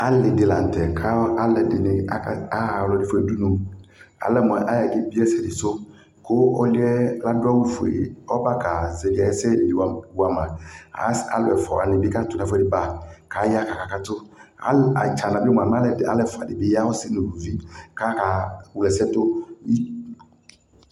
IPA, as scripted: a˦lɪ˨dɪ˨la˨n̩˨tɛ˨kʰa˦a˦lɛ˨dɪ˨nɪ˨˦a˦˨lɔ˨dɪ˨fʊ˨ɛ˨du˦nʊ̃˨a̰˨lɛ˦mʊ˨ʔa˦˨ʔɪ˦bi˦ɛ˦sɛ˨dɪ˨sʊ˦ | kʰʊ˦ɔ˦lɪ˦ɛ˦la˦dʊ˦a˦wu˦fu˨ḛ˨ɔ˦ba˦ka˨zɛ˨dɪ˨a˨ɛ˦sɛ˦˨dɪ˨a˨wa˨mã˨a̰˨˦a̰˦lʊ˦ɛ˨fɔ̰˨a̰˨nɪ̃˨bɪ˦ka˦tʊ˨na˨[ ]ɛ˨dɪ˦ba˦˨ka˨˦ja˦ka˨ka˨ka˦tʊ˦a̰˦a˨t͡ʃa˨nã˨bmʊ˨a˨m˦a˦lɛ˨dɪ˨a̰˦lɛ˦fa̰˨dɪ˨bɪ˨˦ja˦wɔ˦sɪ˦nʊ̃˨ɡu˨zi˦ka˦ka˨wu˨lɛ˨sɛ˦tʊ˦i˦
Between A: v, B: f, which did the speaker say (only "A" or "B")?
B